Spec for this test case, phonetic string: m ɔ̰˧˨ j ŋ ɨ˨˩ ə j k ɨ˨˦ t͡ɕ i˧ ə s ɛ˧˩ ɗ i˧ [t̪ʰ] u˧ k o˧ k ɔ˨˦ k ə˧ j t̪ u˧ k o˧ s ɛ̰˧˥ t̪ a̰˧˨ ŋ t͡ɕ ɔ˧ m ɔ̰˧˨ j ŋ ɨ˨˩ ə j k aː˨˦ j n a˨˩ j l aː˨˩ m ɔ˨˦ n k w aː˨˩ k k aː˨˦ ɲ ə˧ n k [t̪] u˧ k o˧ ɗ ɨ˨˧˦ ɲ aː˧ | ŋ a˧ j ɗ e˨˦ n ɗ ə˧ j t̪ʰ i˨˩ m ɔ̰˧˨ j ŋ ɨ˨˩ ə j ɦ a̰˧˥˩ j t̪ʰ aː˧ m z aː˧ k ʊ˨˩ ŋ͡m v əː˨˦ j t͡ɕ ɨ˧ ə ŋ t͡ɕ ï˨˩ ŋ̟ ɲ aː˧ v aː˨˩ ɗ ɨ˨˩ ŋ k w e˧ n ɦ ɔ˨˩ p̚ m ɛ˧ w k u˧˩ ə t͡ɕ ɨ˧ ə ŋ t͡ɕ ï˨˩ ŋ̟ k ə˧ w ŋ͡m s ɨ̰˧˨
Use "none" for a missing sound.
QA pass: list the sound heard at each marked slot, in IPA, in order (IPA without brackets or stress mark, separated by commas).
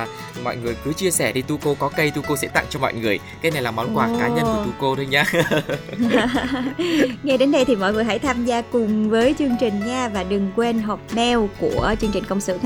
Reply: t̪, t̪